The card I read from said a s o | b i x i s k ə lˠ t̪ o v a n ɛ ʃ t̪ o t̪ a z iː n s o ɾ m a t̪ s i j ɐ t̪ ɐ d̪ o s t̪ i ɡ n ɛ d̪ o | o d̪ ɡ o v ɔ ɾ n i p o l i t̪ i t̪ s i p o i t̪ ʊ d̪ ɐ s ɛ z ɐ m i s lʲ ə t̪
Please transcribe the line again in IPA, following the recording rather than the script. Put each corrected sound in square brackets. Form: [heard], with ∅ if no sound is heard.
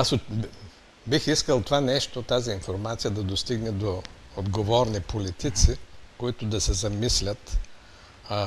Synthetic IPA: a s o | b i x i s k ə lˠ t̪ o v a n ɛ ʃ t̪ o t̪ a z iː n [f] o ɾ m a t̪ s i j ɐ [d̪] ɐ d̪ o s t̪ i ɡ n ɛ d̪ o | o d̪ ɡ o v ɔ ɾ n i p o l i t̪ i t̪ s i [k] o i t̪ ʊ d̪ ɐ s ɛ z ɐ m i s lʲ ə t̪